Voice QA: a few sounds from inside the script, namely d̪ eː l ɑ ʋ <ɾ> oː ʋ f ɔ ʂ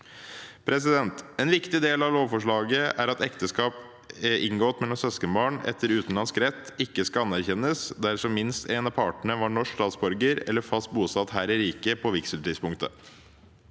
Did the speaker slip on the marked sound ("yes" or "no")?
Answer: yes